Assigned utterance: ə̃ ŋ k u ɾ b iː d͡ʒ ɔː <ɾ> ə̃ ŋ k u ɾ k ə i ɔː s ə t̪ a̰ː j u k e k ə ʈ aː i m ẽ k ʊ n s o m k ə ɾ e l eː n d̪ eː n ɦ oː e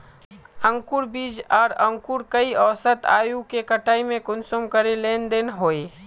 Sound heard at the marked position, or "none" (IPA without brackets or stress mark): ɾ